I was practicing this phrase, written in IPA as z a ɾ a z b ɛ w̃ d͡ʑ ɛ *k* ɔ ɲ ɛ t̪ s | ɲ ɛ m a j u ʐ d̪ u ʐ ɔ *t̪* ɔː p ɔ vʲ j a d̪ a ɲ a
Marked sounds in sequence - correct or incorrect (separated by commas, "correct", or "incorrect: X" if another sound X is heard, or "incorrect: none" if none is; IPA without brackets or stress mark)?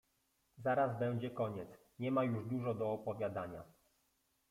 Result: correct, incorrect: d̪